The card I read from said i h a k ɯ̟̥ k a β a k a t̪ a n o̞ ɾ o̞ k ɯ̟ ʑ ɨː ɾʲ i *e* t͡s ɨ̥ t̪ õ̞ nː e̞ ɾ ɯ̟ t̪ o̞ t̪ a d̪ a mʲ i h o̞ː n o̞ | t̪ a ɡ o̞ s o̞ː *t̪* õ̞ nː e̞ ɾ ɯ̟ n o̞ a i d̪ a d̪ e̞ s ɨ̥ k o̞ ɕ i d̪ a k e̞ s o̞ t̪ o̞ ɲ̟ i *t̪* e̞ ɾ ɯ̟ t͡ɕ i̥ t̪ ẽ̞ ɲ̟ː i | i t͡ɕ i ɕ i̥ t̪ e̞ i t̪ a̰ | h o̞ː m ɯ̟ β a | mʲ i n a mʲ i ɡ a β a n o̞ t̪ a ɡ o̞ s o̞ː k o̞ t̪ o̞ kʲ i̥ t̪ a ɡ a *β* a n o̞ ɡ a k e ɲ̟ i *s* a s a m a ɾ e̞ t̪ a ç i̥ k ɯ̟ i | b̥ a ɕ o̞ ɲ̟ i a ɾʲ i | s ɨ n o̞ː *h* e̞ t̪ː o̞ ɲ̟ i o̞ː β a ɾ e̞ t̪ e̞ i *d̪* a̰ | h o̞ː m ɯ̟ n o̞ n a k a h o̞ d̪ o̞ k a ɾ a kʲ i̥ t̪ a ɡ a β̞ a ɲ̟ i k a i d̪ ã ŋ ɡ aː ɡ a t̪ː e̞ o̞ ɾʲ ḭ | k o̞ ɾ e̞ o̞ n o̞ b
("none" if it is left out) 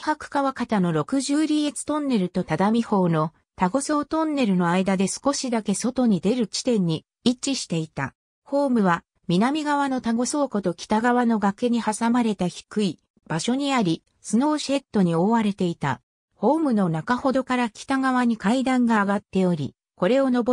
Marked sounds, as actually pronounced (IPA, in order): e, t̪, d̪, β, h, ɕ, t̪

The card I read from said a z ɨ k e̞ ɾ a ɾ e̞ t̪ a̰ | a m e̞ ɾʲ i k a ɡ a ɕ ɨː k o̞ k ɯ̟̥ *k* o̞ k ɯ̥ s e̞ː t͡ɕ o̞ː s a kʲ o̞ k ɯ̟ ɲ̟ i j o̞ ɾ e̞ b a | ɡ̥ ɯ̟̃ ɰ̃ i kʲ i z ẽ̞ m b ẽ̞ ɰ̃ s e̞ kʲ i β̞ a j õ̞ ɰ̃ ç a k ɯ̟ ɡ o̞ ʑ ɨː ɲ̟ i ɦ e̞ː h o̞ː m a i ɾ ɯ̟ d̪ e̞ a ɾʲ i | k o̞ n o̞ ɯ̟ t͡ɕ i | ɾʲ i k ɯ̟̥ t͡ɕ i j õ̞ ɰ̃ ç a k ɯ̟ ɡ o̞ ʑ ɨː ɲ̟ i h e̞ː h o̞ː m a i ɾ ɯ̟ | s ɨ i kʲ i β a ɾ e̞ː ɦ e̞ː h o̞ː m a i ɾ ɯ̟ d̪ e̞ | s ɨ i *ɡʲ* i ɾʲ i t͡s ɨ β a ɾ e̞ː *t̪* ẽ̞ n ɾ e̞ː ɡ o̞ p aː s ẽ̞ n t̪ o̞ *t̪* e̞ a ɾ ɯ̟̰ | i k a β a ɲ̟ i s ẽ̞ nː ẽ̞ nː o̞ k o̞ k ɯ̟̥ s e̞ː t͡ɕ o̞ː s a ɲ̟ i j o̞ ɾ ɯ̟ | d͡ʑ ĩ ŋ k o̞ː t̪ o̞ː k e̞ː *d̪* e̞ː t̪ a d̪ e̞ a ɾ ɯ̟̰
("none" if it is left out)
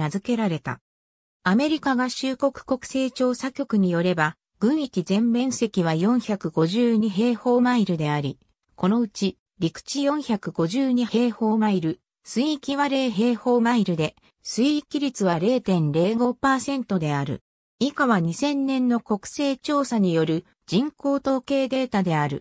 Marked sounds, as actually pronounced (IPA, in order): k, kʲ, t̪, d̪, d̪

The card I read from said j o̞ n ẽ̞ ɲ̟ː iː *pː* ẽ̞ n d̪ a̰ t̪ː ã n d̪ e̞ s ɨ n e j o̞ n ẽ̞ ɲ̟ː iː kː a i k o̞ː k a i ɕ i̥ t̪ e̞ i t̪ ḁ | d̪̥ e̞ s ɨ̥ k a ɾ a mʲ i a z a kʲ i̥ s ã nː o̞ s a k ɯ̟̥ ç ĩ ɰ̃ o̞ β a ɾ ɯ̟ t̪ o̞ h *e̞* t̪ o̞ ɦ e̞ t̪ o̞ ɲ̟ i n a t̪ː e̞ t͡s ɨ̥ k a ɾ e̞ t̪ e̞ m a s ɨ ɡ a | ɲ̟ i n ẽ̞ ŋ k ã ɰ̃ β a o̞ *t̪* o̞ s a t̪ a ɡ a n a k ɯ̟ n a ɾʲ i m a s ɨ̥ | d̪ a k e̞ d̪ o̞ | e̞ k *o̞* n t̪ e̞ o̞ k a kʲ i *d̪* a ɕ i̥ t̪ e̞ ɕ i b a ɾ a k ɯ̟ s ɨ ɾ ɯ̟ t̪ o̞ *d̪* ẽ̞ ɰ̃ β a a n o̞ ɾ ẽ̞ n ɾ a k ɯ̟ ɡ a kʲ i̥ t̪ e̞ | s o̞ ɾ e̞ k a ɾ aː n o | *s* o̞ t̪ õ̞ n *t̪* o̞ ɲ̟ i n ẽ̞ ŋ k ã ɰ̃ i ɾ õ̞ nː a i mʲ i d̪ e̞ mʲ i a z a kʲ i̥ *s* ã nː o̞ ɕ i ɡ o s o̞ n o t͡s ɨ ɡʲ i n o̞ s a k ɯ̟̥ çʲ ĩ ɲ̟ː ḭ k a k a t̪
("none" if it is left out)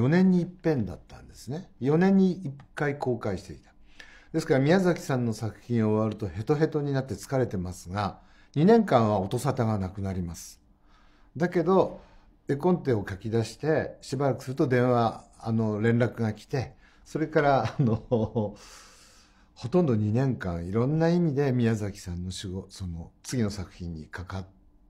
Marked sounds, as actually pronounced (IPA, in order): pː, e̞, t̪, õ̞, d̪, d̪, h, d̪, s

